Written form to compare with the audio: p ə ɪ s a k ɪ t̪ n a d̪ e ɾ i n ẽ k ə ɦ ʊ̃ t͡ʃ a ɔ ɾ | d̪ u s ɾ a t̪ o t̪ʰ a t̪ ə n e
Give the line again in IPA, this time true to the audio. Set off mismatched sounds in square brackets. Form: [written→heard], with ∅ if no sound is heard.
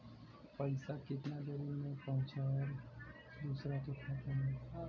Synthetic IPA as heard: p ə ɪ s a k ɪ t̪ n a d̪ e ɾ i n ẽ [k→p] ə ɦ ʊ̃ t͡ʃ a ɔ ɾ | d̪ u s ɾ a t̪ o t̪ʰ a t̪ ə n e